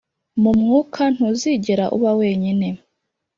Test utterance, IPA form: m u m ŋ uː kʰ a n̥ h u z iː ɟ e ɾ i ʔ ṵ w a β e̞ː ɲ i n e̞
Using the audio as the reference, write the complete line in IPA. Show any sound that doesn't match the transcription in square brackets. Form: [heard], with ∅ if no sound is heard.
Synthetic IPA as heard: m u m ŋ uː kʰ a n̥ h u z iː ɟ e ɾ [a] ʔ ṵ [β] a [w] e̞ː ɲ i n e̞

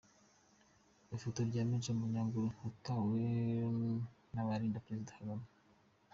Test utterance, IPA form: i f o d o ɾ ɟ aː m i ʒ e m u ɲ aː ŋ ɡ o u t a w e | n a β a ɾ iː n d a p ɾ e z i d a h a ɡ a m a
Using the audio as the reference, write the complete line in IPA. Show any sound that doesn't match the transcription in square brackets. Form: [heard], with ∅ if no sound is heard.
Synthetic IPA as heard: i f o [t] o ɾ ɟ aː m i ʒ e m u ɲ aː ŋ ɡ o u t a w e | n a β a ɾ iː n d a p ɾ e z i d a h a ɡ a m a

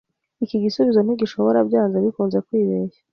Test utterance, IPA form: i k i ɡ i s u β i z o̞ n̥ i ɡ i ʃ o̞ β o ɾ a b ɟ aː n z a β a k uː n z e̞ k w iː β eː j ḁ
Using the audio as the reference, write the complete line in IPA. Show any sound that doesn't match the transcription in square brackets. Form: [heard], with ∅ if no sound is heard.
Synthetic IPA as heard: i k i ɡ i s u β i z o̞ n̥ i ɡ i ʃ o̞ β o ɾ a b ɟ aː n z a β [i] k uː n z e̞ k w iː β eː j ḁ

